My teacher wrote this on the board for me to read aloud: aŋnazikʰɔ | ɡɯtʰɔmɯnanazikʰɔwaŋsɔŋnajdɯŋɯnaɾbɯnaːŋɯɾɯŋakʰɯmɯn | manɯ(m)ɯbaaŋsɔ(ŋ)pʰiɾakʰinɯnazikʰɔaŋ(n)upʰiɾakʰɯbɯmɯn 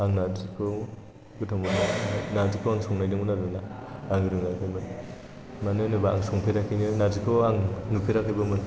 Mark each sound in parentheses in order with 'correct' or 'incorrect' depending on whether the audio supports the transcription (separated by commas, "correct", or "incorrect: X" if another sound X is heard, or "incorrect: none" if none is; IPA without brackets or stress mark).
incorrect: n, correct, correct